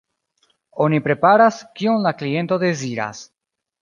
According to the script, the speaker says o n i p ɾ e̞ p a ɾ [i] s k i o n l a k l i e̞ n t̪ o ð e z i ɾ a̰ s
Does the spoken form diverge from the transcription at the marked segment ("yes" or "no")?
yes